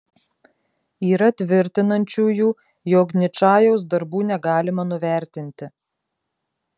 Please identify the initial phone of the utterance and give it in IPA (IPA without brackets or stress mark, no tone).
iː